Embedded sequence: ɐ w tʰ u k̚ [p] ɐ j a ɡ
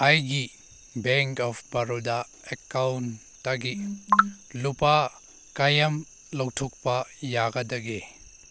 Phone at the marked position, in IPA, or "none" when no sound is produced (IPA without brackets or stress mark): p